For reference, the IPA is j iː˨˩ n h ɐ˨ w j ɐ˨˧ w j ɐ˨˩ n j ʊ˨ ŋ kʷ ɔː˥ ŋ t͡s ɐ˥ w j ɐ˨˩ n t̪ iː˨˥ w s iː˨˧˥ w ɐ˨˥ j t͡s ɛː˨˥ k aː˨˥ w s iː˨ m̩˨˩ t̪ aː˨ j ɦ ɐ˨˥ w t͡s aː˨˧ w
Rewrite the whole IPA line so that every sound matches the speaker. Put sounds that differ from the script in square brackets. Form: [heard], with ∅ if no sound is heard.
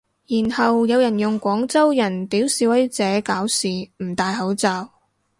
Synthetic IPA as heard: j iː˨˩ n h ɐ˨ w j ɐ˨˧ w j ɐ˨˩ n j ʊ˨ ŋ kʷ [ɔː˨˥] ŋ t͡s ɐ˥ w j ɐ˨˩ n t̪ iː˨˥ w s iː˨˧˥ w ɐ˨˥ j t͡s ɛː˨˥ k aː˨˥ w s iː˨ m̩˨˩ t̪ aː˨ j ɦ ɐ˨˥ w t͡s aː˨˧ w